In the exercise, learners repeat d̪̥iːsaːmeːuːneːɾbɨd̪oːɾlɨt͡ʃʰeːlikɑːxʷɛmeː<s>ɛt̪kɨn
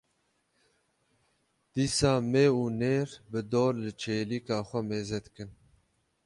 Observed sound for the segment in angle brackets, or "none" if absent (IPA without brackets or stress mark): z